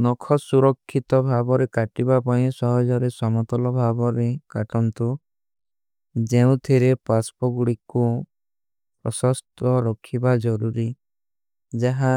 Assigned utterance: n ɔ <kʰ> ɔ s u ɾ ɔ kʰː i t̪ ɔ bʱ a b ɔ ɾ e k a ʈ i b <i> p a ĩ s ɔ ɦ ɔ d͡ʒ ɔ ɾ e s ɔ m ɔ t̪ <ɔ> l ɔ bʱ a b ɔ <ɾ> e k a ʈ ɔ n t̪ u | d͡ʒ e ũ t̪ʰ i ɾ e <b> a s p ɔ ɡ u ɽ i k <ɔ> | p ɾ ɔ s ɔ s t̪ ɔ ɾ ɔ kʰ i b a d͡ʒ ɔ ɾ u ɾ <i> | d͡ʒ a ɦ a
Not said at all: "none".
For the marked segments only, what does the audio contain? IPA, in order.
kʰ, a, ɔ, ɾ, p, u, i

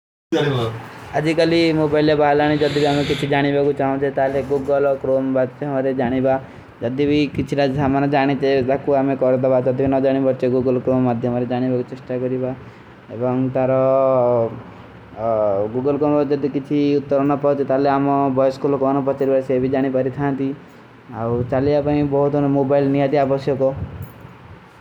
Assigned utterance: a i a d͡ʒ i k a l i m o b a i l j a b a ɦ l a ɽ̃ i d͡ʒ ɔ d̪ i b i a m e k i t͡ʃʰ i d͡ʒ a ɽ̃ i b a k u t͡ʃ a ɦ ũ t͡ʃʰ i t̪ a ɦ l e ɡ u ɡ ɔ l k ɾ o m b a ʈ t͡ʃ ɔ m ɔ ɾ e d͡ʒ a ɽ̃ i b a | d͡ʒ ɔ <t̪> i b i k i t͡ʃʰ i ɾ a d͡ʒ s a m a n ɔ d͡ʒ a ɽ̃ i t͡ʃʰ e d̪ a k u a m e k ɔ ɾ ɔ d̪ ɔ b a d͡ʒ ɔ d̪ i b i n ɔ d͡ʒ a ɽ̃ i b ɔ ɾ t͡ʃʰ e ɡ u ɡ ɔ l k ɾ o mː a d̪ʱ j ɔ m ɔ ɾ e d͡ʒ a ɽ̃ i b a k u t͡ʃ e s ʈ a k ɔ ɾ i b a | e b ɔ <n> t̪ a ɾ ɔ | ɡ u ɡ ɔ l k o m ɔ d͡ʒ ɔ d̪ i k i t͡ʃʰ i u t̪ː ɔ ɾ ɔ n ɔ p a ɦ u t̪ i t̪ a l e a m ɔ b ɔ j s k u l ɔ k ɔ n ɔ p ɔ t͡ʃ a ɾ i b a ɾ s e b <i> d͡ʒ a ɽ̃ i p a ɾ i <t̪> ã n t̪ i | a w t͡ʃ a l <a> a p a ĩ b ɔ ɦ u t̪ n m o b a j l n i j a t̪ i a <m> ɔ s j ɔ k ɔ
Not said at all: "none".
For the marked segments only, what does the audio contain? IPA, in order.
d̪, ŋ, i, t̪ʰ, i, b

